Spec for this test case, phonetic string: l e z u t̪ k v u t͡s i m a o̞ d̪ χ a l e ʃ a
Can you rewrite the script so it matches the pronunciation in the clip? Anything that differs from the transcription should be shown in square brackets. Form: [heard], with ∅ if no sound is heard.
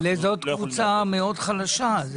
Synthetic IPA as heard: l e z [o] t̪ k v u t͡s [a] m [e] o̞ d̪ χ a l [a] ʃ a